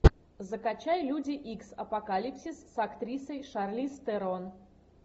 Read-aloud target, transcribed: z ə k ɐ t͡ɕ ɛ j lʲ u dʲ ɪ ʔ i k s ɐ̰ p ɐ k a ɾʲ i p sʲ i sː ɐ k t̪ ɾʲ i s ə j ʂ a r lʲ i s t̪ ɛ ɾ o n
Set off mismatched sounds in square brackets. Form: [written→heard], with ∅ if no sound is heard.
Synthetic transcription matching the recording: z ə k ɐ t͡ɕ [ɛ→a] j lʲ u dʲ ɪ ʔ i k s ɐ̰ p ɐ k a [ɾʲ→lʲ] i p sʲ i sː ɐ k t̪ ɾʲ i s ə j ʂ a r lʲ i s t̪ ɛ ɾ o n